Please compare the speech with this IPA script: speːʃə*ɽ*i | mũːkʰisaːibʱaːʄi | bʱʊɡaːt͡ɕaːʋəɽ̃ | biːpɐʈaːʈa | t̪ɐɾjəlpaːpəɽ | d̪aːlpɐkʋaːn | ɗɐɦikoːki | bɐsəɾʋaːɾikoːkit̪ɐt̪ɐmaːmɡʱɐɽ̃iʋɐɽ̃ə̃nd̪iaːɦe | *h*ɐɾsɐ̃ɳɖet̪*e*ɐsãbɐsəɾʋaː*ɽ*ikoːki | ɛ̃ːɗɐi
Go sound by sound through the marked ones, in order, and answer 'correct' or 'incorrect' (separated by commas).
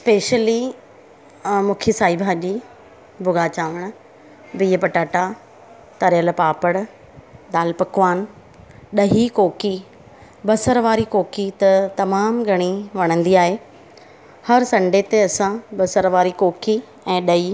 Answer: incorrect, correct, correct, incorrect